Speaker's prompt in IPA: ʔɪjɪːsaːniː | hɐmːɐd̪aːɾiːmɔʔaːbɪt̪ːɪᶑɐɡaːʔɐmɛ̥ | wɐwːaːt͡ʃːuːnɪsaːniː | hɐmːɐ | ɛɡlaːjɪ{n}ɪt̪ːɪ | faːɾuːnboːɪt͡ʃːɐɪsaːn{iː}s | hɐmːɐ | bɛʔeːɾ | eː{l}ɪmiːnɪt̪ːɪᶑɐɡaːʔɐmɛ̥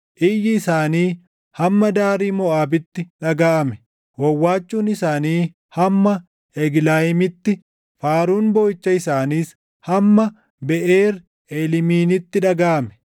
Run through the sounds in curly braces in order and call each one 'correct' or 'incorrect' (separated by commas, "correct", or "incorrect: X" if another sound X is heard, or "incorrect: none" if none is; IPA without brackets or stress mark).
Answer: incorrect: m, correct, correct